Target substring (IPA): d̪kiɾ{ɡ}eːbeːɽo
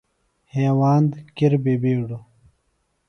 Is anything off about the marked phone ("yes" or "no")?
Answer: yes